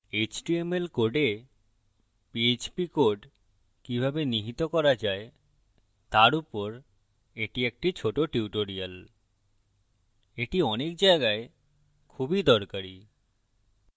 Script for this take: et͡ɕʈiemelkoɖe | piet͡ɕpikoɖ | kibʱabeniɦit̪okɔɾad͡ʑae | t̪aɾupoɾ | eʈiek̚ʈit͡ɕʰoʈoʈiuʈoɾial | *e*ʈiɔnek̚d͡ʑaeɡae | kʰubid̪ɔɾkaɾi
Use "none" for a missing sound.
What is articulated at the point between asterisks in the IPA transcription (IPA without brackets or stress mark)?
e